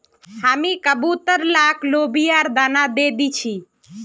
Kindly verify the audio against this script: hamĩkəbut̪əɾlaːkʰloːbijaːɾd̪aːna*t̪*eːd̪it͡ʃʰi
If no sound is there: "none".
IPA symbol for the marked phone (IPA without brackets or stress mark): d̪